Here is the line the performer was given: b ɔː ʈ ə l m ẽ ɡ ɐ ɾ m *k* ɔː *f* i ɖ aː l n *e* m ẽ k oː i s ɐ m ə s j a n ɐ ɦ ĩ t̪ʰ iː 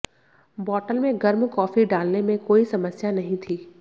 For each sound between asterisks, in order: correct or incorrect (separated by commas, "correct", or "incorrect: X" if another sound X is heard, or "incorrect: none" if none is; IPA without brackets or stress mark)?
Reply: correct, correct, correct